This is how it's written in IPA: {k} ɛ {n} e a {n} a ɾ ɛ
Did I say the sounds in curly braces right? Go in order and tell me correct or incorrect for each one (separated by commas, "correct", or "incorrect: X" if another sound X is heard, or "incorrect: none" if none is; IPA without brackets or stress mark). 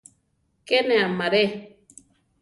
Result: correct, correct, incorrect: m